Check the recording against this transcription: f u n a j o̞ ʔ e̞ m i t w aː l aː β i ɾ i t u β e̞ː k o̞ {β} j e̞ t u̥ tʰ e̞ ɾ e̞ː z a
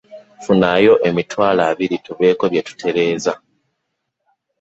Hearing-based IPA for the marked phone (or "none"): β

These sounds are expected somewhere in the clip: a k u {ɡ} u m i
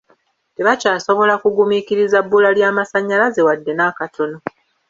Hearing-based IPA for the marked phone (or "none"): ɡ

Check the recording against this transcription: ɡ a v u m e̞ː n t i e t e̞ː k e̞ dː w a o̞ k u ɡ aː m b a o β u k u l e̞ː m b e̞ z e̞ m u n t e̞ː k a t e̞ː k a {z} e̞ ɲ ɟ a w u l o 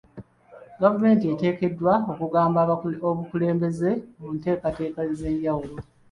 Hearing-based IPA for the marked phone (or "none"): z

